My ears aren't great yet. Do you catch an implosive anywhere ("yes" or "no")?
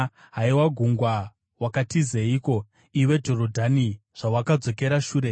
no